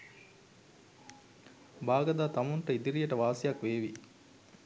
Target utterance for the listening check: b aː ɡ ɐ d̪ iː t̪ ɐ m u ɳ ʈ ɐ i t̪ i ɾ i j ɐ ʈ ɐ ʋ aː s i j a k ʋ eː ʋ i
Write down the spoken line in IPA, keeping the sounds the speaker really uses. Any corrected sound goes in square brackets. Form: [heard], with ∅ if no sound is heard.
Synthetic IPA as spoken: b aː ɡ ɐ d̪ [aː] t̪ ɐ m u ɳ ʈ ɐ i [d̪] i ɾ i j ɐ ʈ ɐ ʋ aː s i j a k ʋ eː ʋ i